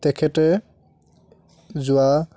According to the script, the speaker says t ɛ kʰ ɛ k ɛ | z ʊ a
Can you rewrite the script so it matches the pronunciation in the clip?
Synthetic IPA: t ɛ kʰ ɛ t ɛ | z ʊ a